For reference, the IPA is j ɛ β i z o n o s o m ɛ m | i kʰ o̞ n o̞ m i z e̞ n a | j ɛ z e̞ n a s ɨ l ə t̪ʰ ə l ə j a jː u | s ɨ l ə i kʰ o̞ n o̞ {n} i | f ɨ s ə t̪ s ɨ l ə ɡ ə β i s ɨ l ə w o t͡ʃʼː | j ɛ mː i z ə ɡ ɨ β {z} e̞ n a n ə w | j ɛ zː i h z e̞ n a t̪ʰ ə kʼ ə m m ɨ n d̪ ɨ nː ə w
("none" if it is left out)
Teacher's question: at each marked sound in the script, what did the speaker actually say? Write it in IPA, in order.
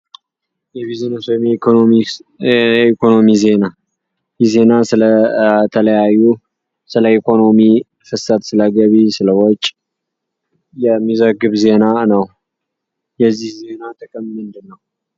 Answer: m, z

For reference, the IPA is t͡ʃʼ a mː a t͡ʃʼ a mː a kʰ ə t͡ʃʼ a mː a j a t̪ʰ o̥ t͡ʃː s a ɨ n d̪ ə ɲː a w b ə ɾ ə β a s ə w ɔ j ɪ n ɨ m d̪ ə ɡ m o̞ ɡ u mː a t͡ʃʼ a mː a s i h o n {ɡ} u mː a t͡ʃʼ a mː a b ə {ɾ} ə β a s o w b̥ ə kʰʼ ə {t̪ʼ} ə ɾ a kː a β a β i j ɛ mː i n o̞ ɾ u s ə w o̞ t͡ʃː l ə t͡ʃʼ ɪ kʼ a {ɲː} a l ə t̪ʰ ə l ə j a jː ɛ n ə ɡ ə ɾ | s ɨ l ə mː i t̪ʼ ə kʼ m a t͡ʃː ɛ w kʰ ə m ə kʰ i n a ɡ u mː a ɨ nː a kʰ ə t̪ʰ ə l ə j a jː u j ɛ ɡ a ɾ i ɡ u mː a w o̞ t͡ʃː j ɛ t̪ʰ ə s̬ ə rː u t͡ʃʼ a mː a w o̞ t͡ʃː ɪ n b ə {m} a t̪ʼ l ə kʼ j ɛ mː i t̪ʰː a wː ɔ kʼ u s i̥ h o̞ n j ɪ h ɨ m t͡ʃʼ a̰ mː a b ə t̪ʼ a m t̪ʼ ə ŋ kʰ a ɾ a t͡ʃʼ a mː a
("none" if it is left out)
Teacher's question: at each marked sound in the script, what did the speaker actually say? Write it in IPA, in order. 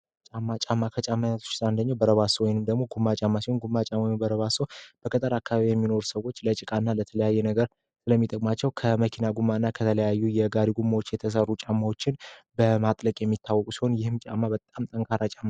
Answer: ɡ, ɾ, t̪ʼ, nː, m

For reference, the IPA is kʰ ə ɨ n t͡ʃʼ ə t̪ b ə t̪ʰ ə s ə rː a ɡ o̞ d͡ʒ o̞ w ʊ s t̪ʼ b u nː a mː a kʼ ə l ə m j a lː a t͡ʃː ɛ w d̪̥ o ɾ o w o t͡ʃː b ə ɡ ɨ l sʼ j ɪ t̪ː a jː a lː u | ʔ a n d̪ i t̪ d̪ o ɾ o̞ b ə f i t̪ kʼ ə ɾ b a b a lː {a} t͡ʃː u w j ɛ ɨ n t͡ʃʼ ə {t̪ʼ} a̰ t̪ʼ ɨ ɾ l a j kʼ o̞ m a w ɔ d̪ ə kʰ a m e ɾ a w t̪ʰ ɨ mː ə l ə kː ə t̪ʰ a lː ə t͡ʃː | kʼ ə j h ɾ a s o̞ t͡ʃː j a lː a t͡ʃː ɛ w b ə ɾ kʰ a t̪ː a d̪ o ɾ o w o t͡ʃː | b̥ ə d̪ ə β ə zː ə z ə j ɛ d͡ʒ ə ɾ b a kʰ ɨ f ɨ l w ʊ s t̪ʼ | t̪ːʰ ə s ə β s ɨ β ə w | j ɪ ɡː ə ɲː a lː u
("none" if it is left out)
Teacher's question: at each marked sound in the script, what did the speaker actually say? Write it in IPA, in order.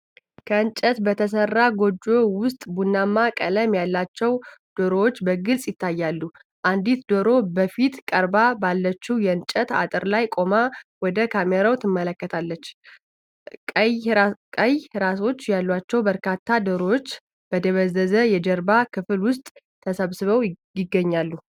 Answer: ə, t̪

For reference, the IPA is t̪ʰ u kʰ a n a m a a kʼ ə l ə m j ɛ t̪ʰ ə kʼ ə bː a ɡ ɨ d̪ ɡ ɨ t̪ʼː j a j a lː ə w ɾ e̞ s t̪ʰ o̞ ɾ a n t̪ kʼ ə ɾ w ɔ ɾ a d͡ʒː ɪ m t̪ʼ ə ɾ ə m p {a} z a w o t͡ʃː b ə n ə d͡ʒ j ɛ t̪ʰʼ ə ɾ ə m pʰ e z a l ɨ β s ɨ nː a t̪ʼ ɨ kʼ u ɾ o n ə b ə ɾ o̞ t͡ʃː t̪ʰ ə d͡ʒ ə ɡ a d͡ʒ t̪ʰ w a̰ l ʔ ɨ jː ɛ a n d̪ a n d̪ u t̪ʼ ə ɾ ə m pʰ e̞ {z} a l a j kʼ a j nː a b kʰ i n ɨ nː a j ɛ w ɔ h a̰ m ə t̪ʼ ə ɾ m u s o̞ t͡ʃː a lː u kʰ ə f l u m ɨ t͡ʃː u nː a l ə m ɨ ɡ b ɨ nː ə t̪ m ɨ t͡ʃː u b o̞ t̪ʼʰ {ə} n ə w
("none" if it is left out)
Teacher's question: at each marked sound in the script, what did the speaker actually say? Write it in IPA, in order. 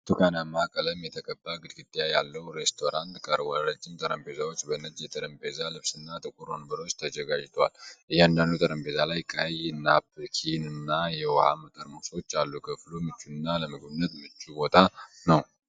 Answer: e, z, a

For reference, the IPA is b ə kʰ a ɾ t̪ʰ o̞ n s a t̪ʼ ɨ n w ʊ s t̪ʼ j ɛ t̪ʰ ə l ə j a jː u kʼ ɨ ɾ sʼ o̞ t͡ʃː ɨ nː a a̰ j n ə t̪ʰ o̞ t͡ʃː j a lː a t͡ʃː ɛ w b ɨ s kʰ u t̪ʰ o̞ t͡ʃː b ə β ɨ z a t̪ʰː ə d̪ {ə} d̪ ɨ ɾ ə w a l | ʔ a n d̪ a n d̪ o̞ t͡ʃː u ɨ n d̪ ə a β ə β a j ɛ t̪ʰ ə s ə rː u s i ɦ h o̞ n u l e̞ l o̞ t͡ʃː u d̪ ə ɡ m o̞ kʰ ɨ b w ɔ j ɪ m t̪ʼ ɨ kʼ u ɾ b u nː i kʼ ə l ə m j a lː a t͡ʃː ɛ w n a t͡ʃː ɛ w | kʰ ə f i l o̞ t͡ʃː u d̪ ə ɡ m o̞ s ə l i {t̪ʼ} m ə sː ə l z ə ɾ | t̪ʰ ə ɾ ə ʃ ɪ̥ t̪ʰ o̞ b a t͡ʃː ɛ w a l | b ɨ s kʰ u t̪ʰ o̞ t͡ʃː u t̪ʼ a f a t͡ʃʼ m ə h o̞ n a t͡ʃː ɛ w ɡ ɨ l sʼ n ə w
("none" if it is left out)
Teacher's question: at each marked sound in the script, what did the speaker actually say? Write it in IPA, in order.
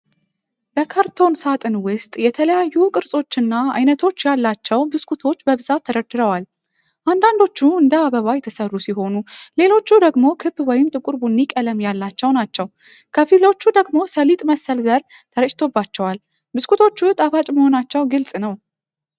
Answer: ə, t̪ʼ

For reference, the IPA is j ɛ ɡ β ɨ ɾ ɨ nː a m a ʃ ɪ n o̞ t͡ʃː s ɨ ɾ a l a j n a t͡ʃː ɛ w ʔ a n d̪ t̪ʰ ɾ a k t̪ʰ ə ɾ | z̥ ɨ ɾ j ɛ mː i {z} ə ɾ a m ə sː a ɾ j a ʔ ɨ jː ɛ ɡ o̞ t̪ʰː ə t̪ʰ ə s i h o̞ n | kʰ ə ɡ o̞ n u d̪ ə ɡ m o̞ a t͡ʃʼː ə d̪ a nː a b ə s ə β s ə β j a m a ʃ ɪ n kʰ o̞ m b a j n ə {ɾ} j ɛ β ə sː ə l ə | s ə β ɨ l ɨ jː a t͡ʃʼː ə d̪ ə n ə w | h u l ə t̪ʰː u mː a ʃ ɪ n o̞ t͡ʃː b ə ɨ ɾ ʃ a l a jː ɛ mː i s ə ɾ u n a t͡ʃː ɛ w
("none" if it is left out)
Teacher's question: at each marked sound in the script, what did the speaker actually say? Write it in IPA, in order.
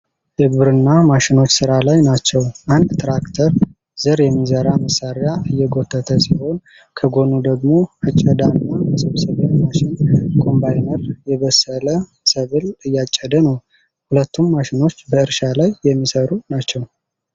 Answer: z, ɾ

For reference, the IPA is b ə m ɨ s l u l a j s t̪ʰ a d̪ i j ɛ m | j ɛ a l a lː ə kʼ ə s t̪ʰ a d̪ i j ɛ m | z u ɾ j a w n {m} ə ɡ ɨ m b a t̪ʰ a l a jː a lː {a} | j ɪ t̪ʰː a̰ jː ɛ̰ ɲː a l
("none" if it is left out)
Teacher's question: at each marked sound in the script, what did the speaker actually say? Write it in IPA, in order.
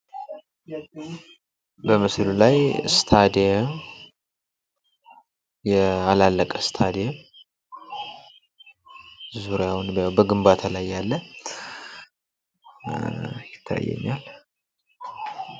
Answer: b, ə

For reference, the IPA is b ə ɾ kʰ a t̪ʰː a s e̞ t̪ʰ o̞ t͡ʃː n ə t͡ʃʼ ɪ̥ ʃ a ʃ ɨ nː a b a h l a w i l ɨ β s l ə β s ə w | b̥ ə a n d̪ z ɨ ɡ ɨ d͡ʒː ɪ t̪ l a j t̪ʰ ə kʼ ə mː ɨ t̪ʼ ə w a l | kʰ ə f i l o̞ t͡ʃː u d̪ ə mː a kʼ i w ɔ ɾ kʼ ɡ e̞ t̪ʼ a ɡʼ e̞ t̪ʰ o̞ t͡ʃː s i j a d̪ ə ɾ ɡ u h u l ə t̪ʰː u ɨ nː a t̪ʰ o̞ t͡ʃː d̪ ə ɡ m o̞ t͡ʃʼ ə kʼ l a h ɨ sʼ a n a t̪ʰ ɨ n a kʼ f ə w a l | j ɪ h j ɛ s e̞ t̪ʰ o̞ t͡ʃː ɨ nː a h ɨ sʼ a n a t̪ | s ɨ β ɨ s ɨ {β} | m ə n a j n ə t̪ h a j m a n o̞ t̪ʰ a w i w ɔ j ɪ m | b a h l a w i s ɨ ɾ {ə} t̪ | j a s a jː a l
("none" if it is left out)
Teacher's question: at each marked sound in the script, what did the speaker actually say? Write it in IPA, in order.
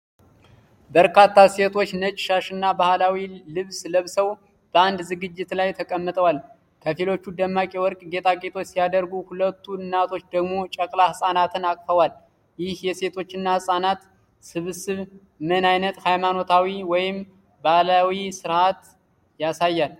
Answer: β, a

